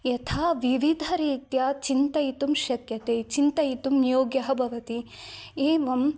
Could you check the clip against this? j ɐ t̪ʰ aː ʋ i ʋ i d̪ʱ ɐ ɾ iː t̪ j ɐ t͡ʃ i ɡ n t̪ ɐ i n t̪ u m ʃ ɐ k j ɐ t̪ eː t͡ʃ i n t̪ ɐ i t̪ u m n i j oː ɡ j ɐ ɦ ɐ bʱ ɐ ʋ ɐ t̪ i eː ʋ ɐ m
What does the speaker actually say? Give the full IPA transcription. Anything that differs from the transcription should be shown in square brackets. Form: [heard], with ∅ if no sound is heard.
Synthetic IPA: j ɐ t̪ʰ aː ʋ i ʋ i d̪ʱ ɐ ɾ iː t̪ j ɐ t͡ʃ i [∅] n t̪ ɐ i [∅] t̪ u m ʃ ɐ k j ɐ t̪ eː t͡ʃ i n t̪ ɐ i t̪ u m n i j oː ɡ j ɐ ɦ ɐ bʱ ɐ ʋ ɐ t̪ i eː ʋ ɐ m